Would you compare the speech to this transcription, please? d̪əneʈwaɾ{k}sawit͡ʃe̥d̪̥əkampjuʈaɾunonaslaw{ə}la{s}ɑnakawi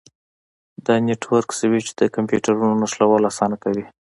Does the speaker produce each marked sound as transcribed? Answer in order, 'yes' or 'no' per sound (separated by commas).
yes, no, yes